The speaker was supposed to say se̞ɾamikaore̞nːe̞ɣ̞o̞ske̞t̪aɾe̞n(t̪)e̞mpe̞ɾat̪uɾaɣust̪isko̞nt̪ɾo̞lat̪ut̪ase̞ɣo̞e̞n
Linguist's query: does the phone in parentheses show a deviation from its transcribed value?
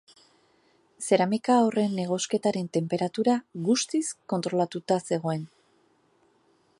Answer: no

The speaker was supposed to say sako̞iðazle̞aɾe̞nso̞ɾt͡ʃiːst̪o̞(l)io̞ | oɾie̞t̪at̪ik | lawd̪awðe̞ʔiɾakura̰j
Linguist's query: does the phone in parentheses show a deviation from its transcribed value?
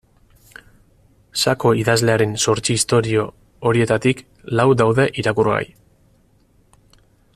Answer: yes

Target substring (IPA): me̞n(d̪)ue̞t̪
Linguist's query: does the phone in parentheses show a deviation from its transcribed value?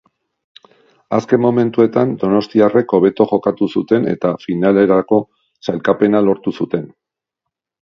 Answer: yes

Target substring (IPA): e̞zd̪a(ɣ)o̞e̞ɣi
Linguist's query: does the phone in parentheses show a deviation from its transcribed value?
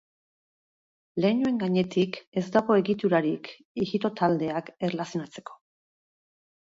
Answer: no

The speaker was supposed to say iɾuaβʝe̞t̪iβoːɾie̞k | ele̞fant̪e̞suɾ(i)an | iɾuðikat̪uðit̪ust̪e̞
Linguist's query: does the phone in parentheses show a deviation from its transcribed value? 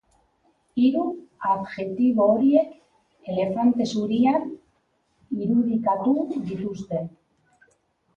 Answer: no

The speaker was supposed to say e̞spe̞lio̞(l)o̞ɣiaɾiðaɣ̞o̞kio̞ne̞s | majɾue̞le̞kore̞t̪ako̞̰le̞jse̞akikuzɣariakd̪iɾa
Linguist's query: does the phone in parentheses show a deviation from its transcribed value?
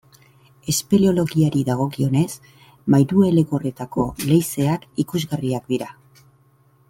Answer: no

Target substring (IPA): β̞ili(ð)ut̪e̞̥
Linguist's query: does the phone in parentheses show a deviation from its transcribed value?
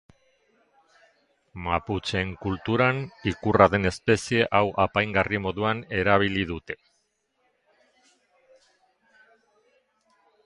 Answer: no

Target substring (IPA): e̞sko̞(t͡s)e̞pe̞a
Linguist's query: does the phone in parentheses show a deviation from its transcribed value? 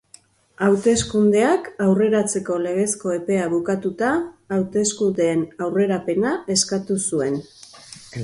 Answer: yes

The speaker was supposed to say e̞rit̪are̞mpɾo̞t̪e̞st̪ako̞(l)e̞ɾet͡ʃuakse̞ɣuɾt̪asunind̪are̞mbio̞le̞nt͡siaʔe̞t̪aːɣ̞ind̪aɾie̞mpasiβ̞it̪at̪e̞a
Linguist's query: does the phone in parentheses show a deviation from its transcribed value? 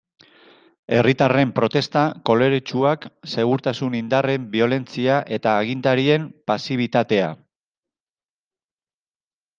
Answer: no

